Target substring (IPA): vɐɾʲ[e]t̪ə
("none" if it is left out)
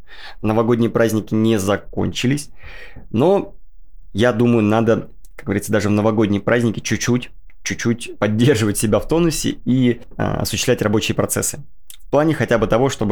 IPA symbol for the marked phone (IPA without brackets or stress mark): i